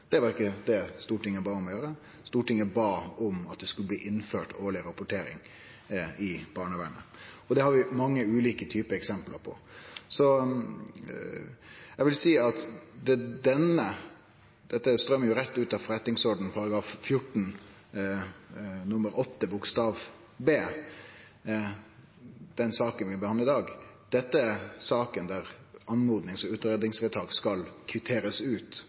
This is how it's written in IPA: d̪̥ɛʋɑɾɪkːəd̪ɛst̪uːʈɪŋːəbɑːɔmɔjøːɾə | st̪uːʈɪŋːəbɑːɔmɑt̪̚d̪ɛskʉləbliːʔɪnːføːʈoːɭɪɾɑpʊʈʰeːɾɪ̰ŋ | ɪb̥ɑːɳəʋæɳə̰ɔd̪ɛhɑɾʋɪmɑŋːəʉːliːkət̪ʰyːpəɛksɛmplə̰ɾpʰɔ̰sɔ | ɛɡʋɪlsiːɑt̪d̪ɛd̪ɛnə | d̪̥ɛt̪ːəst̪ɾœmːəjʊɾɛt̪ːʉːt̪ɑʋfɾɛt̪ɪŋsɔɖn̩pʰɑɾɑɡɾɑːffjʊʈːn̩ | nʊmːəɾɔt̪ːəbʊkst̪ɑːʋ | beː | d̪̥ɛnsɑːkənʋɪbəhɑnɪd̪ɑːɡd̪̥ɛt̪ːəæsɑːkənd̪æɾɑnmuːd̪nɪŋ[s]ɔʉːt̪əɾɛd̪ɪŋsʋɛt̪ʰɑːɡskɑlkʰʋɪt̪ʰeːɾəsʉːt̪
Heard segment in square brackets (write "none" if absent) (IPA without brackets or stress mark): s